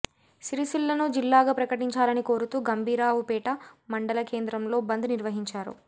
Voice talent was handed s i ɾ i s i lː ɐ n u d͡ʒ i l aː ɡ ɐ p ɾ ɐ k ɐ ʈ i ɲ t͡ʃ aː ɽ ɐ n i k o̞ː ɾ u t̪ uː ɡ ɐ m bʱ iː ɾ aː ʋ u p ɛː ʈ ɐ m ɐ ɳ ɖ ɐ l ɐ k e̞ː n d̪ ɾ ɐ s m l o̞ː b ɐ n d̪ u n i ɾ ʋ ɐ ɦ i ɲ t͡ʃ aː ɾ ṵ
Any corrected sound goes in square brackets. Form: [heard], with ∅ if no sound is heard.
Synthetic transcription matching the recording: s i ɾ i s i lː ɐ n u d͡ʒ i [lː] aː ɡ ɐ p ɾ ɐ k ɐ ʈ i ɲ t͡ʃ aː [l] ɐ n i k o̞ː ɾ u t̪ uː ɡ ɐ m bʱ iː ɾ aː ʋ u p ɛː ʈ ɐ m ɐ ɳ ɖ ɐ l ɐ k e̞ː n d̪ ɾ ɐ [∅] m l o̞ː b ɐ n d̪ u n i ɾ ʋ ɐ ɦ i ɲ t͡ʃ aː ɾ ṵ

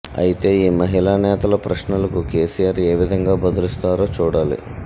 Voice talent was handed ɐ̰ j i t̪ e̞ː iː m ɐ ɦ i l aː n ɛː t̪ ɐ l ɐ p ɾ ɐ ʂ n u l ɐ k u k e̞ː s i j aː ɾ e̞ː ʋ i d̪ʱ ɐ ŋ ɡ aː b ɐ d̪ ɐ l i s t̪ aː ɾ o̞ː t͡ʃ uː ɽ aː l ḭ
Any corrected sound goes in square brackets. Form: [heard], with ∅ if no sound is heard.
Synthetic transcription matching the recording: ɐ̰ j i t̪ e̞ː iː m ɐ ɦ i l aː n ɛː t̪ ɐ l ɐ p ɾ ɐ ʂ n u l ɐ k u k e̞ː s i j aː ɾ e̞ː ʋ i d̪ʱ ɐ ŋ ɡ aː b ɐ d̪ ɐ l i s t̪ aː ɾ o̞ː t͡ʃ uː ɽ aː l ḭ

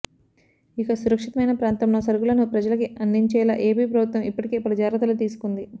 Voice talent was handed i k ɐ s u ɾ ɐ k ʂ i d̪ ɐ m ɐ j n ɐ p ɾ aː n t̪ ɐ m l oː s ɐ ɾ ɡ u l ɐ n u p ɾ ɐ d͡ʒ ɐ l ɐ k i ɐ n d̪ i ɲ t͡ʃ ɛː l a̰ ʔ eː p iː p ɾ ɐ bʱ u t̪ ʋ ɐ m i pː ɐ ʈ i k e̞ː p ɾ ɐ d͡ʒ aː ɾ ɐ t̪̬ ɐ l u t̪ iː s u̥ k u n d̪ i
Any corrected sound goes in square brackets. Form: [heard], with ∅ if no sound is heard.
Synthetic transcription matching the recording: i k ɐ s u ɾ ɐ k ʂ i [t̪] ɐ m ɐ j n ɐ p ɾ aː n t̪ ɐ m l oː s ɐ ɾ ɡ u l ɐ n u p ɾ ɐ d͡ʒ ɐ l ɐ k i ɐ n d̪ i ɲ t͡ʃ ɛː l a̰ ʔ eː p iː p ɾ ɐ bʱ u t̪ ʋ ɐ m i pː ɐ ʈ i k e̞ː p ɾ ɐ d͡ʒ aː ɾ ɐ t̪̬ ɐ l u t̪ iː s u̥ k u n d̪ i

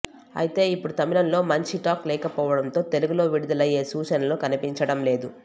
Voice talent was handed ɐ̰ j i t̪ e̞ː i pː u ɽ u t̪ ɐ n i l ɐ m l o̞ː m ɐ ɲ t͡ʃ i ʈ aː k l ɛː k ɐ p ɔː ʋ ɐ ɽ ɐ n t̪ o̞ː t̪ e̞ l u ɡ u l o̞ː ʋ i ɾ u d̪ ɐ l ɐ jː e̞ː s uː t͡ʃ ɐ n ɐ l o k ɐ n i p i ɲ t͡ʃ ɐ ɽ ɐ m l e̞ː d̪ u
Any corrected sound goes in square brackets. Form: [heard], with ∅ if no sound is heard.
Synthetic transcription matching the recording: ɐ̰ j i t̪ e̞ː i pː u ɽ u t̪ ɐ [m] i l ɐ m l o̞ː m ɐ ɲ t͡ʃ i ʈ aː k l ɛː k ɐ p ɔː ʋ ɐ ɽ ɐ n t̪ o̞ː t̪ e̞ l u ɡ u l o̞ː ʋ i [ɽ] u d̪ ɐ l ɐ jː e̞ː s uː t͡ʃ ɐ n ɐ l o k ɐ n i p i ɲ t͡ʃ ɐ ɽ ɐ m l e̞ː d̪ u

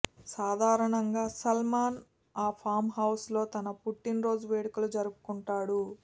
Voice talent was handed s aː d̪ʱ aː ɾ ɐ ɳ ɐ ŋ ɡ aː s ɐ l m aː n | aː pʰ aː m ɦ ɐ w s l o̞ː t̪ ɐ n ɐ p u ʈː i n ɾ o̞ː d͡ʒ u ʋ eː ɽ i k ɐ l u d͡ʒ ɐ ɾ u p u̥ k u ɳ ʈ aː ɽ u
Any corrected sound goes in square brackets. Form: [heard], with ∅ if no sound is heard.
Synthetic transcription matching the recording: s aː d̪ʱ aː ɾ ɐ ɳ ɐ ŋ ɡ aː s ɐ l m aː n | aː pʰ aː m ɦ ɐ w s l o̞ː t̪ ɐ n ɐ p u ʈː i n ɾ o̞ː d͡ʒ u ʋ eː ɽ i k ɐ l u d͡ʒ ɐ ɾ u p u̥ k u ɳ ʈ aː ɽ u

